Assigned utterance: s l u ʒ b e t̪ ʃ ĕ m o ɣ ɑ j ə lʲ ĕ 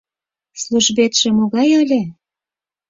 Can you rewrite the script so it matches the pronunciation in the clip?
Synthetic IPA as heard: s l u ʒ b e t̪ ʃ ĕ m o ɣ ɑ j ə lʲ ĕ

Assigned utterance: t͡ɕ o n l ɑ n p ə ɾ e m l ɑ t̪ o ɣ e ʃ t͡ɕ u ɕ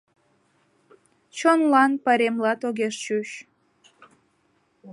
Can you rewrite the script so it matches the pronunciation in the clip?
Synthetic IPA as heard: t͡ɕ o n l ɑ n p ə ɾ e m l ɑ t̪ o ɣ e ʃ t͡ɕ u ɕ

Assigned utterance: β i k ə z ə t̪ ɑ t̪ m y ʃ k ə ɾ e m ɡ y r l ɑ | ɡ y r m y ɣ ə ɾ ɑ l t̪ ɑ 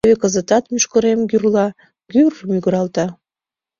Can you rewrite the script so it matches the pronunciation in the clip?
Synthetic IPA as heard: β e k ə z ə t̪ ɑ t̪ m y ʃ k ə ɾ e m ɡ y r l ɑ | ɡ y r m y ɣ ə ɾ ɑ l t̪ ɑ

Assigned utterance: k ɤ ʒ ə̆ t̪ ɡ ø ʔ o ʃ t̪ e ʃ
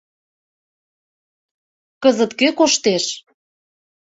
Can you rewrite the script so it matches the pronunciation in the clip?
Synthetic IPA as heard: k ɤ z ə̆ t̪ k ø k o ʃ t̪ e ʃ

